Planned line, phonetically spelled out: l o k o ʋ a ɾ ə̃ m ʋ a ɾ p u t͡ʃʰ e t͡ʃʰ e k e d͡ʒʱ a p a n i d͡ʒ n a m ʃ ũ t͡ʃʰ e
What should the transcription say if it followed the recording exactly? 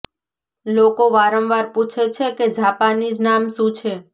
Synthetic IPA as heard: l o k o ʋ a ɾ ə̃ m ʋ a ɾ p u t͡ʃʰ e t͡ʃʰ e k e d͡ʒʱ a p a n i d͡ʒ n a m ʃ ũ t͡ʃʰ e